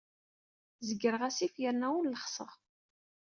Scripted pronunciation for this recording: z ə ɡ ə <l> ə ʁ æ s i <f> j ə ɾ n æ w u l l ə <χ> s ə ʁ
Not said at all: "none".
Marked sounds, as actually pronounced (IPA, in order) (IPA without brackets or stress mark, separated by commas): ɾ, f, χ